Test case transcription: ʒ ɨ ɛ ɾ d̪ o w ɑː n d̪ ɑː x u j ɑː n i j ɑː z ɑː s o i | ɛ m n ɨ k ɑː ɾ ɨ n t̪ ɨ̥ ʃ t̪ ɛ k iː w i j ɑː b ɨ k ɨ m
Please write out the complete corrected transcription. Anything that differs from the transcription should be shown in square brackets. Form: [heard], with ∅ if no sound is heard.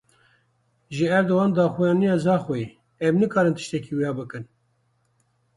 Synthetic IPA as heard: ʒ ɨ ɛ ɾ d̪ o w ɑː n d̪ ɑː x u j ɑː n i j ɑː z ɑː [x] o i | ɛ m n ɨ k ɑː ɾ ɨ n t̪ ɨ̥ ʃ t̪ ɛ k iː w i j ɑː b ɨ k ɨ [n]